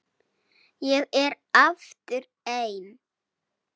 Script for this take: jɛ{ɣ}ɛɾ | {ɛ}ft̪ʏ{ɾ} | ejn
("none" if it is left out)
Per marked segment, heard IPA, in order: ɣ, a, ɾ

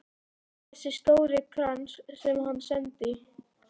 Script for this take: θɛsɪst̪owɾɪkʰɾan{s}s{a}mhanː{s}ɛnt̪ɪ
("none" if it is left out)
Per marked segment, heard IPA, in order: s, ɛ, s

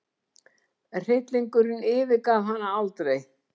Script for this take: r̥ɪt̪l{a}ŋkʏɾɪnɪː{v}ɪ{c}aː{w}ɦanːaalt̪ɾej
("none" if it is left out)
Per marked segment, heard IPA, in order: i, v, k, v

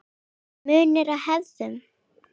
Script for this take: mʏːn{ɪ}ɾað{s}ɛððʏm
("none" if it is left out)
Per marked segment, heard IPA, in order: ɪ, h

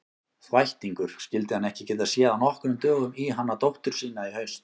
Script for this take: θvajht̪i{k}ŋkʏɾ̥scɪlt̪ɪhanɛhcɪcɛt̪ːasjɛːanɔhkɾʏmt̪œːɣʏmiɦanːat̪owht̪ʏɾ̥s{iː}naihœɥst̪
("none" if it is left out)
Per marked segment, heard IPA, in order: none, iː

